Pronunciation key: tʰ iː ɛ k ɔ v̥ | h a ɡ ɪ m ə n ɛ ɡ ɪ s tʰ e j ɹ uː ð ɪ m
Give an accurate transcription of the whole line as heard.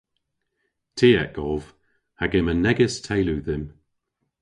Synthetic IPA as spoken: tʰ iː ɛ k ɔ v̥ | h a ɡ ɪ m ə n ɛ ɡ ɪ s tʰ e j l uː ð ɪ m